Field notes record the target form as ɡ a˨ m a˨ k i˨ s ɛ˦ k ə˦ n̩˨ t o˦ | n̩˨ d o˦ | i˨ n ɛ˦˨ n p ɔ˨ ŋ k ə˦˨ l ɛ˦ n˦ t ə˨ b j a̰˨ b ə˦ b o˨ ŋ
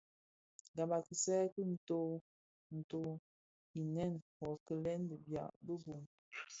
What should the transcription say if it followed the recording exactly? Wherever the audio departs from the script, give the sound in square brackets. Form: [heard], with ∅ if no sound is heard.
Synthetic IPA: ɡ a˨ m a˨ k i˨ s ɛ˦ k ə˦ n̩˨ t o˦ | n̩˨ [t] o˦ | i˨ n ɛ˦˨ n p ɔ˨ [∅] k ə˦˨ l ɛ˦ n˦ [d] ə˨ b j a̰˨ b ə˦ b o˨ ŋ